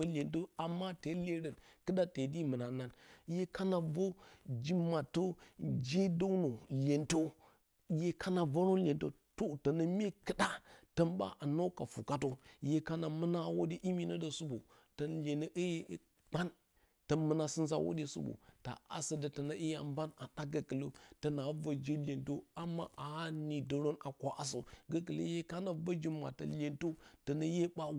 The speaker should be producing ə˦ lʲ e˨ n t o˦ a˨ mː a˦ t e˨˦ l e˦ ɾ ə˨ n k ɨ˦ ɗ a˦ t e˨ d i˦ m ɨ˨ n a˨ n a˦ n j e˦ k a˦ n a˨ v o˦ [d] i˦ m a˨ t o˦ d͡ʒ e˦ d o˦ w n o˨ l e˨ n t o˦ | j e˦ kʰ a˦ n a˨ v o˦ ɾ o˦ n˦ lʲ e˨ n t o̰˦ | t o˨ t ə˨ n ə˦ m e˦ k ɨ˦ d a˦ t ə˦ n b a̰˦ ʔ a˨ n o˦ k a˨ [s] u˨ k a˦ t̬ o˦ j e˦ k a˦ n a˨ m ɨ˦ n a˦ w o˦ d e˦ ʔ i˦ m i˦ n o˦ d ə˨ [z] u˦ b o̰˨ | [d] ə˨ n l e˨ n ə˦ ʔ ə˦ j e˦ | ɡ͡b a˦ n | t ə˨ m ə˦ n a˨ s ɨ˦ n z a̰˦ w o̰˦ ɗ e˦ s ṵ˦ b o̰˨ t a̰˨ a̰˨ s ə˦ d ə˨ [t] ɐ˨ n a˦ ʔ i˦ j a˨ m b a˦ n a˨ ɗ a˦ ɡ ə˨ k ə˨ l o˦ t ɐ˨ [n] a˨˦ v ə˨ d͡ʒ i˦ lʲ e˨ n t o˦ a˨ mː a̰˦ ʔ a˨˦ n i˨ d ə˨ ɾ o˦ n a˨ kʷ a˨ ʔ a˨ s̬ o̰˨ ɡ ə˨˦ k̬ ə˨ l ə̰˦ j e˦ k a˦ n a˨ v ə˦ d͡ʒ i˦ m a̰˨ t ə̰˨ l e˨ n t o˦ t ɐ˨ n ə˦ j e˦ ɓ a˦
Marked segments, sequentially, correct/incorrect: incorrect: d͡ʒ, incorrect: f, incorrect: s, incorrect: t, correct, correct

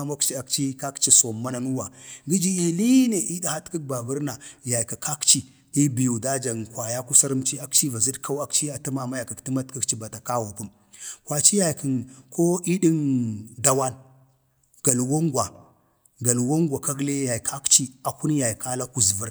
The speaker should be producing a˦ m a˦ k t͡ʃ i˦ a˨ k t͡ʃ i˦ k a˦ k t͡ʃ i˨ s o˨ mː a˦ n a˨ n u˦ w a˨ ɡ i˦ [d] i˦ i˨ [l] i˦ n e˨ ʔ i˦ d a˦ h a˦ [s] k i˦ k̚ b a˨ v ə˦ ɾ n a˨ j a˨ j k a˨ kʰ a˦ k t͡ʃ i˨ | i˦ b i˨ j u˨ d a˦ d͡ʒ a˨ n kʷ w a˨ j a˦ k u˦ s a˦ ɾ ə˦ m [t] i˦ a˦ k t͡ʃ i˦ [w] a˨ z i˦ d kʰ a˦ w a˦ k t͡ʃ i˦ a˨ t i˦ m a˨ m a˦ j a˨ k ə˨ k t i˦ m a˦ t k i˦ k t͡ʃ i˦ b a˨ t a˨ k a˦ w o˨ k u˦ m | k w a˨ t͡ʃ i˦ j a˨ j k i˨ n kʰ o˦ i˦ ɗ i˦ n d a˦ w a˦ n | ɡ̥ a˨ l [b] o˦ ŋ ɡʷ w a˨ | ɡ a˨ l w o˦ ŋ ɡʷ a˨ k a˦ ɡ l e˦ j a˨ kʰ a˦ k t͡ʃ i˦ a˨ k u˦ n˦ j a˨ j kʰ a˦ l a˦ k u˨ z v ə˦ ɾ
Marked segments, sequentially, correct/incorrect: incorrect: d͡ʒ, correct, incorrect: t, incorrect: t͡ʃ, incorrect: v, incorrect: w

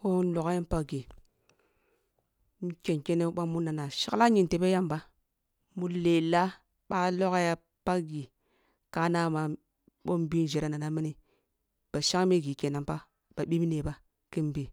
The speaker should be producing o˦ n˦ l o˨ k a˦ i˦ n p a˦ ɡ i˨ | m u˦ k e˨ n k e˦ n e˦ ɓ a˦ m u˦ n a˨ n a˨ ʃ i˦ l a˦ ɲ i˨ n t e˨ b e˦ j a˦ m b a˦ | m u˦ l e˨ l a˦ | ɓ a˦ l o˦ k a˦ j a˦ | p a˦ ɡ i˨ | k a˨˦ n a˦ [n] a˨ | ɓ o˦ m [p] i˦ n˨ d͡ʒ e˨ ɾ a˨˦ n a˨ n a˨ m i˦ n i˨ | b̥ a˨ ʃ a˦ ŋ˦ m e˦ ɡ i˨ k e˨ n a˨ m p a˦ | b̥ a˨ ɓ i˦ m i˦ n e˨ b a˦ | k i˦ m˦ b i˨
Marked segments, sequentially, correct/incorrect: incorrect: m, incorrect: b

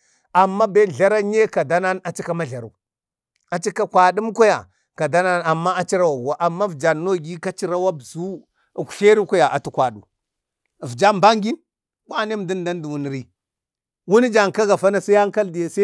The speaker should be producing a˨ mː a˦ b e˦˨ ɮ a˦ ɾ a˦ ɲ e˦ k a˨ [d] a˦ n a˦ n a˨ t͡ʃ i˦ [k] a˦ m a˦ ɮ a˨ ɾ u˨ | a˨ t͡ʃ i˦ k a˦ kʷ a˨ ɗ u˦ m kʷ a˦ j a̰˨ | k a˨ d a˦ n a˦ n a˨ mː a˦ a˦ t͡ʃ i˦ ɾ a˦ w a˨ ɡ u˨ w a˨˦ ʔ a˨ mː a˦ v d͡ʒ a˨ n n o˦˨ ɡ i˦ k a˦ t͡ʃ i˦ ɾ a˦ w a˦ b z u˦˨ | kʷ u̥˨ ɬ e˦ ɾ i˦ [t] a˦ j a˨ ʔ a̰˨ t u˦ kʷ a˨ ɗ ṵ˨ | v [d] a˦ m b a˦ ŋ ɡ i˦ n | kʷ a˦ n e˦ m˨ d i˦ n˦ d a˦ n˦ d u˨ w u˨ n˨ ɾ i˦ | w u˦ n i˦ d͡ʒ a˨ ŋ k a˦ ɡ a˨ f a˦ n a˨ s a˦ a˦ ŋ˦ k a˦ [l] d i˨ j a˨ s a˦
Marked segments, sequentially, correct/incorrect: correct, correct, incorrect: k, incorrect: d͡ʒ, correct

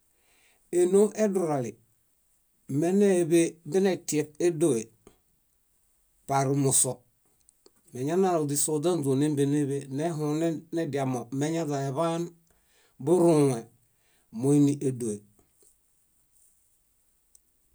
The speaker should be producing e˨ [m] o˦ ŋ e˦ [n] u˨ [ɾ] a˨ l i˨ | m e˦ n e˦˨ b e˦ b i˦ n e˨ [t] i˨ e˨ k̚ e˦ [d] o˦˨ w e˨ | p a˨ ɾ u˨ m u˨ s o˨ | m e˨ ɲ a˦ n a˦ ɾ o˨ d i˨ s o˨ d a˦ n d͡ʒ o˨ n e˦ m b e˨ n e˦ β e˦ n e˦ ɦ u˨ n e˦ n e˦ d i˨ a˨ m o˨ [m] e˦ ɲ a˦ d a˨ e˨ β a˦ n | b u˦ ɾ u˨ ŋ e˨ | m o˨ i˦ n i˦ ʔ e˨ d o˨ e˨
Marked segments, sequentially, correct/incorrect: incorrect: n, incorrect: d, correct, correct, correct, correct

